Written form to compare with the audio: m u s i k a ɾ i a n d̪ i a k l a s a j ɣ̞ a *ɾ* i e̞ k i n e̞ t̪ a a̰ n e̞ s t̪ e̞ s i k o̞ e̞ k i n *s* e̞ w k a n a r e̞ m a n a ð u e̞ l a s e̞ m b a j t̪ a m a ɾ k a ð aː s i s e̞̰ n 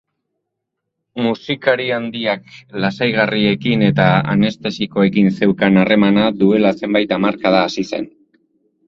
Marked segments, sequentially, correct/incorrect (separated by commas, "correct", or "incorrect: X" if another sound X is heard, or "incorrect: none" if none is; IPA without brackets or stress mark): incorrect: r, correct